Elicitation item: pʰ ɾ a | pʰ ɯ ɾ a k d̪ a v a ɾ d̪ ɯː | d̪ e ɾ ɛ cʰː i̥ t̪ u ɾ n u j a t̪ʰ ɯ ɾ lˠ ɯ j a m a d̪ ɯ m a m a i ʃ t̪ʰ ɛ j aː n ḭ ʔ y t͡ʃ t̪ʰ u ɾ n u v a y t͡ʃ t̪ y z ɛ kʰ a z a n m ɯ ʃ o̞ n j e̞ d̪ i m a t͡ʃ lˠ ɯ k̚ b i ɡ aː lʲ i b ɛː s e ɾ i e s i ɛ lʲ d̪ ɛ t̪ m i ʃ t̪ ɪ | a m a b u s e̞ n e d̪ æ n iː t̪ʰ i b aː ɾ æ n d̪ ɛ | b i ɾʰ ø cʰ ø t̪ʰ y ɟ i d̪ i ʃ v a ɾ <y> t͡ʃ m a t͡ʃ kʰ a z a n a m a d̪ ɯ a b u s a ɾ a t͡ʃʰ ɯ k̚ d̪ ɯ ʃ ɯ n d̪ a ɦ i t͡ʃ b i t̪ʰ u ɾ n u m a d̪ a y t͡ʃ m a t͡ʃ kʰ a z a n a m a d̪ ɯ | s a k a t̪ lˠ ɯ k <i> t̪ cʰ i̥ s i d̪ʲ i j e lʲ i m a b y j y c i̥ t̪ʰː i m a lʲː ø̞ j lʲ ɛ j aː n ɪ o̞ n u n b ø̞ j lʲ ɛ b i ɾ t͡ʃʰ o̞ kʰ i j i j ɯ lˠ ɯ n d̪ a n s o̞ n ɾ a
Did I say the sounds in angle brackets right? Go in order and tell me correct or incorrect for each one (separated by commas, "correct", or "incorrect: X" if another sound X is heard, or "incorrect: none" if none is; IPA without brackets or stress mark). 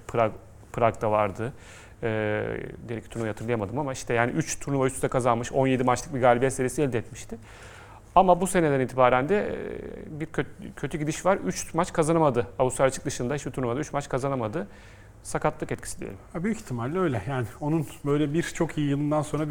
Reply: correct, incorrect: ɛ